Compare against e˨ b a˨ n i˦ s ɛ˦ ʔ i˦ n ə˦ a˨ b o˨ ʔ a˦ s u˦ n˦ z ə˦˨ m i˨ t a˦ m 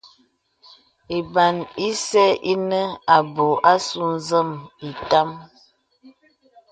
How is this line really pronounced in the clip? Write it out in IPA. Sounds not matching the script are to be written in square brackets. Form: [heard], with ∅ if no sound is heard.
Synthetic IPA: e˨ b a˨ n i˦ s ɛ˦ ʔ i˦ n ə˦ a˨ b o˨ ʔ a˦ s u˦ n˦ z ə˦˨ m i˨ t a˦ m